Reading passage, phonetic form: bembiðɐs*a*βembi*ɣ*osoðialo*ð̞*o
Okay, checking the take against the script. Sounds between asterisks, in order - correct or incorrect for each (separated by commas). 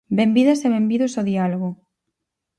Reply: incorrect, incorrect, incorrect